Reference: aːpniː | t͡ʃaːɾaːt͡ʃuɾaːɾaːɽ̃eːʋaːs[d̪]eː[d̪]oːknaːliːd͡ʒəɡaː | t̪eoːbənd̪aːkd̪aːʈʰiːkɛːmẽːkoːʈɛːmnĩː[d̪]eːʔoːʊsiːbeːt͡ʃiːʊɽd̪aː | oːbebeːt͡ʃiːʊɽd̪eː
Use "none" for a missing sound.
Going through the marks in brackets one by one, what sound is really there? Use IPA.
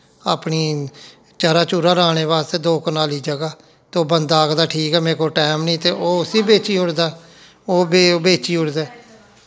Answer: t̪, d̪, t̪

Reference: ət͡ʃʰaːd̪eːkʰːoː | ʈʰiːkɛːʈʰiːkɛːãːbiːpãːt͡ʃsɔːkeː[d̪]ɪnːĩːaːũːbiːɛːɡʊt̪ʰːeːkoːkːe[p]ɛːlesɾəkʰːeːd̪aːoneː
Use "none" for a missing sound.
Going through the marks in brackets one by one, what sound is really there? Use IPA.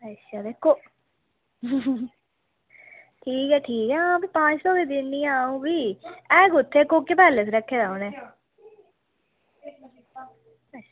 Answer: d̪, p

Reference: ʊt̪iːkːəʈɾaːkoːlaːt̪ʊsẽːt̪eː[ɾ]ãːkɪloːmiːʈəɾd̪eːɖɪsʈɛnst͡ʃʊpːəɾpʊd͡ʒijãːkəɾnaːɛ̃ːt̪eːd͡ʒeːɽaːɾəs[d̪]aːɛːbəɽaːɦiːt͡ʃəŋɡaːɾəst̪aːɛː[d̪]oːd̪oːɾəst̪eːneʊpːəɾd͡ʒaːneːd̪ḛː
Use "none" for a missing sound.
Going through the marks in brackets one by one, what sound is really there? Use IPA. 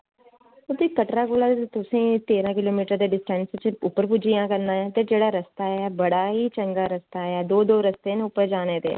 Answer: ɾ, t̪, d̪

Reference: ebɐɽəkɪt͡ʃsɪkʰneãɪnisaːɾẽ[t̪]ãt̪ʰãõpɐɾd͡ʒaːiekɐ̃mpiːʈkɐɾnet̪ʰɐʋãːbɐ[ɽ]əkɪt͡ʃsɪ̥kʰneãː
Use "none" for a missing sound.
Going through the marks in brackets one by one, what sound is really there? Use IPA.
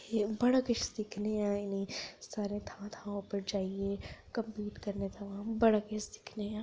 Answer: t̪ʰ, ɽ

